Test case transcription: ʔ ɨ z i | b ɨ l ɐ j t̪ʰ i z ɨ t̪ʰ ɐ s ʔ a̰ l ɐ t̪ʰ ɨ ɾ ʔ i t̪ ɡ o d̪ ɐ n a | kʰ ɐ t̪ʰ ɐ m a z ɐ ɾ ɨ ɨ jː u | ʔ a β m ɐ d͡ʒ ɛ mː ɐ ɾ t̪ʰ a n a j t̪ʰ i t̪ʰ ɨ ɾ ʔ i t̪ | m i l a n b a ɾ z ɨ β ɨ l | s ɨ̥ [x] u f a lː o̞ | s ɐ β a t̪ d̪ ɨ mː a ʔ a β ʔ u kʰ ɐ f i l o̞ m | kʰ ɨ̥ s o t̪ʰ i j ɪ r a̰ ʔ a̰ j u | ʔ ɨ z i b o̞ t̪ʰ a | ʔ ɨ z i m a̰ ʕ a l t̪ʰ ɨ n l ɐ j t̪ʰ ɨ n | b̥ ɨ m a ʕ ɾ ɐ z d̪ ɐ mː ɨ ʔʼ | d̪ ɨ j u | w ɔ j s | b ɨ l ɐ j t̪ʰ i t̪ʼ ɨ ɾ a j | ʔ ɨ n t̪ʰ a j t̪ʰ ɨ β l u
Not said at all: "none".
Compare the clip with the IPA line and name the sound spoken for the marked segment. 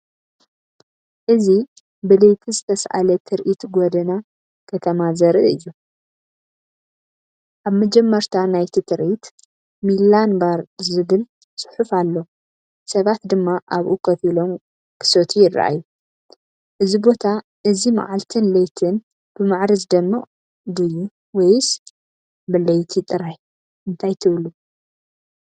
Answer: ħ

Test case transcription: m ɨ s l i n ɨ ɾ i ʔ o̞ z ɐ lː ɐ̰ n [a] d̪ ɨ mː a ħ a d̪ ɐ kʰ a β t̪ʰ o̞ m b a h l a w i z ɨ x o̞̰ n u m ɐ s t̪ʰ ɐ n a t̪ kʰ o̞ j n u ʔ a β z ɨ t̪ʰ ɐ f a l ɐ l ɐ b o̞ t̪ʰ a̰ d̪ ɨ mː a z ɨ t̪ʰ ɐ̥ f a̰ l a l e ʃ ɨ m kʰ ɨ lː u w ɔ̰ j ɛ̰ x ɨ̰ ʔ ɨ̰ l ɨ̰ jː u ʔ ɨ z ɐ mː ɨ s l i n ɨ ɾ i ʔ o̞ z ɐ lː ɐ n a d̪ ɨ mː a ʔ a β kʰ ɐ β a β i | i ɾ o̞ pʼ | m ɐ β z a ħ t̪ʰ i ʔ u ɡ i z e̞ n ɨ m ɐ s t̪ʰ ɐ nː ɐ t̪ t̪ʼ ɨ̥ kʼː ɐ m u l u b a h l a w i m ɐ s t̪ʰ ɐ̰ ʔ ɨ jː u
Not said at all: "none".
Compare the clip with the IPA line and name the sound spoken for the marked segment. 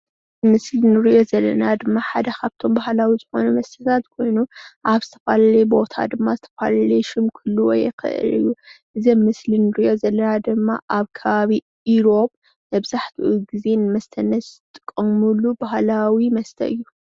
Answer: a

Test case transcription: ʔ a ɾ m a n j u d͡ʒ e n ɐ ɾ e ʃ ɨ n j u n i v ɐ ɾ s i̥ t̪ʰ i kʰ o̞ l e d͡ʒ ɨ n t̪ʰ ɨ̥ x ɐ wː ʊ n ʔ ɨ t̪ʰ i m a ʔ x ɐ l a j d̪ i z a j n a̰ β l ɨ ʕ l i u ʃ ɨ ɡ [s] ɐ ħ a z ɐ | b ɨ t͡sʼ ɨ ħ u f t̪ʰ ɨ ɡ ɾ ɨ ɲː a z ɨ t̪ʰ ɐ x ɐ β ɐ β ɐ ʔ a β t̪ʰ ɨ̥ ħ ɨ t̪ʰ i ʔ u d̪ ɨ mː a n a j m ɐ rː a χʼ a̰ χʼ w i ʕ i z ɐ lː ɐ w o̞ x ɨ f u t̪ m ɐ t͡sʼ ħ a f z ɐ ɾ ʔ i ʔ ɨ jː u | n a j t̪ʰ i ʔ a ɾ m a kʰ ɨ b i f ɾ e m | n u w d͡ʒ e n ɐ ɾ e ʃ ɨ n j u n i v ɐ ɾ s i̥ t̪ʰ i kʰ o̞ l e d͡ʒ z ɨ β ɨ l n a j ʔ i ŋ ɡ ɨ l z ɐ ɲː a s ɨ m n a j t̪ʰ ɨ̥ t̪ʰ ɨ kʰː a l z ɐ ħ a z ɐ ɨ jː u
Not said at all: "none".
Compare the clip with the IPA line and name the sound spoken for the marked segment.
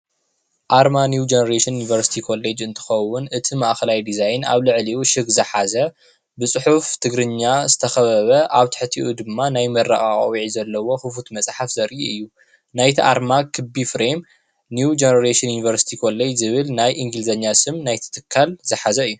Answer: z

